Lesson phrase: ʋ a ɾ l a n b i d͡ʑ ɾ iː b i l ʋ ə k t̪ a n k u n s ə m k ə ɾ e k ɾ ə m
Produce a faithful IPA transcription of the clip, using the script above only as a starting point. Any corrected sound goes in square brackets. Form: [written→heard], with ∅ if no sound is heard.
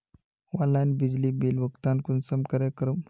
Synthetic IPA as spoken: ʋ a [ɾ→∅] l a n b i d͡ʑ [ɾ→l] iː b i l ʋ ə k t̪ a n k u n s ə m k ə ɾ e k ɾ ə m